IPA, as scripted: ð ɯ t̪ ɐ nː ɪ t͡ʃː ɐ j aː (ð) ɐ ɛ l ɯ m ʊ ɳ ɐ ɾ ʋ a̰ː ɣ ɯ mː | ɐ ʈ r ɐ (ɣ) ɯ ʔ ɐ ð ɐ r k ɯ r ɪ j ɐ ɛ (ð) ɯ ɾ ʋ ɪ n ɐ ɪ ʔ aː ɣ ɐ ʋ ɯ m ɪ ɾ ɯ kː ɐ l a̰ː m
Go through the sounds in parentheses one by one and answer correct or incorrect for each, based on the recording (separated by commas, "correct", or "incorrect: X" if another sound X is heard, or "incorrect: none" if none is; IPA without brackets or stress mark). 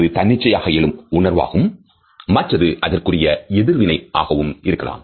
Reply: incorrect: ɣ, incorrect: ð, correct